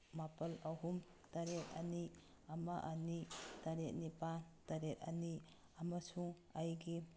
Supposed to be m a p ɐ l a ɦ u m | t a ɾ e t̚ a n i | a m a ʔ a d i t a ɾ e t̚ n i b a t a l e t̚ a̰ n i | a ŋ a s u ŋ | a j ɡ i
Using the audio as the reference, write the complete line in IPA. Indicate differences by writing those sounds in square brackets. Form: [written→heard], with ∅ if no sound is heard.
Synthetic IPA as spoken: m a p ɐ l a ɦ u m | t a ɾ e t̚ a n i | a m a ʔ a [d→n] i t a ɾ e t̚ n i [b→p] a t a [l→ɾ] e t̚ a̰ n i | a [ŋ→m] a s u ŋ | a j ɡ i